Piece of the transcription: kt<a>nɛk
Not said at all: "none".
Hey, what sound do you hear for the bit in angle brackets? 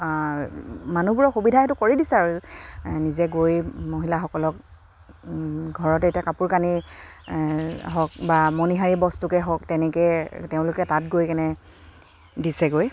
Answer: ɛ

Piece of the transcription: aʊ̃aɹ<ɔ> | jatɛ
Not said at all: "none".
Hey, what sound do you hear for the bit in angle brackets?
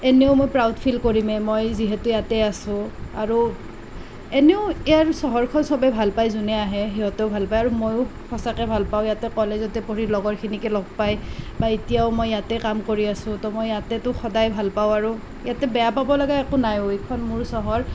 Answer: u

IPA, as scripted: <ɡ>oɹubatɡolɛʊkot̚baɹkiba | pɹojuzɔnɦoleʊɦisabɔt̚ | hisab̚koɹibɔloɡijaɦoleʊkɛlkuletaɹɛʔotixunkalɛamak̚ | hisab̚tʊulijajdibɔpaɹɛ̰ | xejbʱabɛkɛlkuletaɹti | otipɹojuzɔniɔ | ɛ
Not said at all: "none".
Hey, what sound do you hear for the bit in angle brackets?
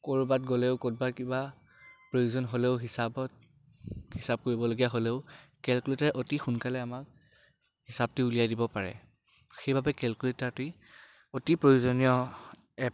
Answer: k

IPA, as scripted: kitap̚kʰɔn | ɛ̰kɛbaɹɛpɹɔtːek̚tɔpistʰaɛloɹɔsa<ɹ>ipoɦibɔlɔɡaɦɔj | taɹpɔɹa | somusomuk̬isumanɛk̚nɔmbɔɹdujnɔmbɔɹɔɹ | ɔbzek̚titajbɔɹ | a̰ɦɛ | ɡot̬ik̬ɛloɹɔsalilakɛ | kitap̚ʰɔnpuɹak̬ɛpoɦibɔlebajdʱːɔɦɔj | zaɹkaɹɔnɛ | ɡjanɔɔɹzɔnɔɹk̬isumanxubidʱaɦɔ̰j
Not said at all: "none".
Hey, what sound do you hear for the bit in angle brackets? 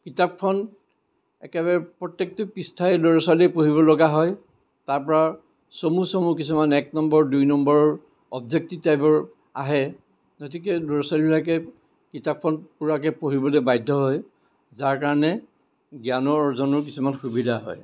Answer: l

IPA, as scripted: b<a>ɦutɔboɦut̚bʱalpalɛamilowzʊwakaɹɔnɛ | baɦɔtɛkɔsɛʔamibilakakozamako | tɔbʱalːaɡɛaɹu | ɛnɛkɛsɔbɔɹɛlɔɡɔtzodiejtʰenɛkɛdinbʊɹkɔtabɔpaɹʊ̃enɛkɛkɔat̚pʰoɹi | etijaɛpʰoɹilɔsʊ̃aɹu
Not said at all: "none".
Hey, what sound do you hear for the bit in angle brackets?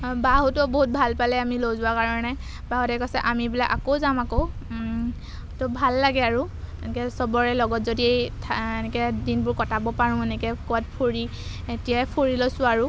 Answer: a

